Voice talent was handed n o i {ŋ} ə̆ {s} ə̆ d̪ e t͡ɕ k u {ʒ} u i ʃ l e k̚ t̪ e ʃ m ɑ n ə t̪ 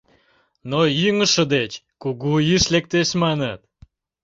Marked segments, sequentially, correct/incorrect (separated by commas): correct, incorrect, incorrect